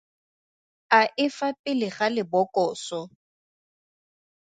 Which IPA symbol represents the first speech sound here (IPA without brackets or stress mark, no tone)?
a